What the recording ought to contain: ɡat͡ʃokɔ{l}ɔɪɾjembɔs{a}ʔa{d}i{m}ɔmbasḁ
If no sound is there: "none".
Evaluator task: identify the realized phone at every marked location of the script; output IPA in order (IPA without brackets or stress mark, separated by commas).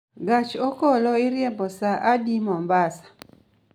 l, a, d, m